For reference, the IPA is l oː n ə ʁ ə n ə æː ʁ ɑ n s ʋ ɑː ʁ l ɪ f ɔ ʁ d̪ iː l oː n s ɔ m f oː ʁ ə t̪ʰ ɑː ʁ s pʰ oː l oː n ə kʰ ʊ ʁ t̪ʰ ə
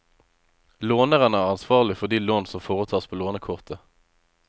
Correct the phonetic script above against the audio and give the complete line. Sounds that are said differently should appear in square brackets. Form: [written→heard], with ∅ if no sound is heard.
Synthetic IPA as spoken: l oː n ə ʁ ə n ə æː ʁ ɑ n s ʋ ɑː ʁ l ɪ f ɔ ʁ d̪ iː l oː n s ɔ m f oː ʁ ə t̪ʰ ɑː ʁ s pʰ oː l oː n ə kʰ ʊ ʁ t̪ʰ ə

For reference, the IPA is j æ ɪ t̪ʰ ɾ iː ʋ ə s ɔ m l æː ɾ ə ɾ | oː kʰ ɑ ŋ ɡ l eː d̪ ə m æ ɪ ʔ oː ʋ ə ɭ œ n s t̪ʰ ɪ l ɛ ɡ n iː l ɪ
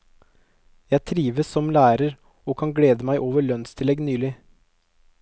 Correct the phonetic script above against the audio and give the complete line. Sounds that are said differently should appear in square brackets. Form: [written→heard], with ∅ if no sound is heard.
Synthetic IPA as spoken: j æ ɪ t̪ʰ ɾ iː ʋ ə s ɔ m l æː ɾ ə ɾ | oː kʰ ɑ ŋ ɡ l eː d̪ ə m æ ɪ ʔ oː ʋ ə ɭ œ n s t̪ʰ ɪ l ɛ ɡ n [iː→yː] l ɪ

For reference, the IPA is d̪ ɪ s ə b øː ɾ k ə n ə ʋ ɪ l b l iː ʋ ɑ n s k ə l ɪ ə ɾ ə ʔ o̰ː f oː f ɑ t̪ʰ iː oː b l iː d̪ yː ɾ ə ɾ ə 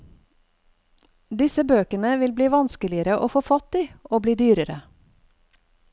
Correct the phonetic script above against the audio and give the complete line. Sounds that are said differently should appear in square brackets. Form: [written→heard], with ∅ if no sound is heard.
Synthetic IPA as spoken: d̪ ɪ s ə b øː [ɾ→∅] k ə n ə ʋ ɪ l b l iː ʋ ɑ n s k ə l ɪ ə ɾ ə ʔ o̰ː f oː f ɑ [t̪ʰ→t̪] iː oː b l iː d̪ yː ɾ ə ɾ ə

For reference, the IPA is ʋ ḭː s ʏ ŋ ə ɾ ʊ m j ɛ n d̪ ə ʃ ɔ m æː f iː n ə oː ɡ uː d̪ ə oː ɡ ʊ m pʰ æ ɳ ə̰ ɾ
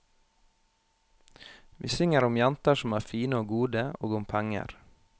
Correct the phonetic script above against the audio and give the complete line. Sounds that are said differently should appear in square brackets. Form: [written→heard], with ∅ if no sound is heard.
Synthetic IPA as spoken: ʋ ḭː s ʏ ŋ ə ɾ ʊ m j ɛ n [d̪→t̪] ə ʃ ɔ m æː f iː n ə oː ɡ uː d̪ ə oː ɡ ʊ m pʰ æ [ɳ→ŋ] ə̰ ɾ

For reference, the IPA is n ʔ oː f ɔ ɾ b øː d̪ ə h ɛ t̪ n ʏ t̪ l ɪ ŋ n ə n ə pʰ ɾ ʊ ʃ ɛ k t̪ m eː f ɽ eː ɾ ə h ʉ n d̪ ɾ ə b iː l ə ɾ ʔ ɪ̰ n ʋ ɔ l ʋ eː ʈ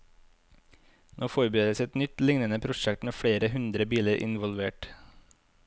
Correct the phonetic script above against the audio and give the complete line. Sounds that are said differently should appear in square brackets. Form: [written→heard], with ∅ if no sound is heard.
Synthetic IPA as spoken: n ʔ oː f ɔ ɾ b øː d̪ ə [h→s] ɛ t̪ n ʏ t̪ l ɪ ŋ n ə n ə pʰ ɾ ʊ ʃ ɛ k t̪ m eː f ɽ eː ɾ ə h ʉ n d̪ ɾ ə b iː l ə ɾ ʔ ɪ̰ n ʋ ɔ l ʋ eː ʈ

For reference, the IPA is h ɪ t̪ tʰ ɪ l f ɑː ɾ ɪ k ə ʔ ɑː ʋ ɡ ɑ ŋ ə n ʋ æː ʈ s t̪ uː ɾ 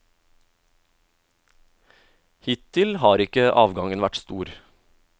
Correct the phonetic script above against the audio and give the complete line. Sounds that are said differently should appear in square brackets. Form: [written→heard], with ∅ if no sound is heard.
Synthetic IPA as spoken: h ɪ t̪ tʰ ɪ l [f→h] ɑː ɾ ɪ k ə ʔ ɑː ʋ ɡ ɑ ŋ ə n ʋ [æː→æ] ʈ s t̪ uː ɾ

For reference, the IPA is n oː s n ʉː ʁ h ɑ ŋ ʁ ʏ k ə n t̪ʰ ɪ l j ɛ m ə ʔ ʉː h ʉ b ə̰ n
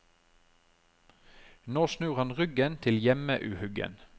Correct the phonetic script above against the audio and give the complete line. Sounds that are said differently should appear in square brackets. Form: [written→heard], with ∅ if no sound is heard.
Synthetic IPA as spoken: n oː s n ʉː ʁ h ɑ [ŋ→n] ʁ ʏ [k→ɡ] ə n t̪ʰ ɪ l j ɛ m ə ʔ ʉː h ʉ [b→ɡ] ə̰ n

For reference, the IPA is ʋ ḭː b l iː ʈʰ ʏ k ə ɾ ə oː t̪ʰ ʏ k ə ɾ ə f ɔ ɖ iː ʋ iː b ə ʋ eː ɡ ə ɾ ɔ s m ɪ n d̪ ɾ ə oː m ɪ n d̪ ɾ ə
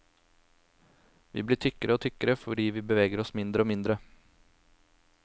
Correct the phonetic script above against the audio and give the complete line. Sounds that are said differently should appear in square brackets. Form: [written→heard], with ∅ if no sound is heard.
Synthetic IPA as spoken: ʋ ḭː b l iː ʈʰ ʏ k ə ɾ ə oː t̪ʰ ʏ k ə ɾ ə f ɔ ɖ iː ʋ iː b ə ʋ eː ɡ ə ɾ ɔ s m ɪ n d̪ ɾ ə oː m ɪ n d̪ ɾ ə

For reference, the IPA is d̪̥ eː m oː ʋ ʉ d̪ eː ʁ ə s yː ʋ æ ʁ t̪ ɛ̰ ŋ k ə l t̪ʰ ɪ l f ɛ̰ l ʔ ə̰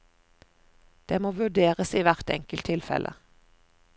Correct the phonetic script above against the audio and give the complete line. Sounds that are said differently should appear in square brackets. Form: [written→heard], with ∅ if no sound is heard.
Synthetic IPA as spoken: d̪̥ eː m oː ʋ ʉ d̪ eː ʁ ə s [yː→iː] ʋ æ ʁ t̪ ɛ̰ ŋ k ə l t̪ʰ ɪ l f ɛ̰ l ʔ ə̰

